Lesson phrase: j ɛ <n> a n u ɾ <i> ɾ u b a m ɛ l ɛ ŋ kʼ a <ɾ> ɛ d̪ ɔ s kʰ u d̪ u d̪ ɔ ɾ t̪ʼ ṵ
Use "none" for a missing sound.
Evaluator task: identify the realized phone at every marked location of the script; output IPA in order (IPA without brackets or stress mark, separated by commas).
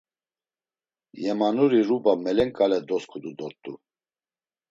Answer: m, i, l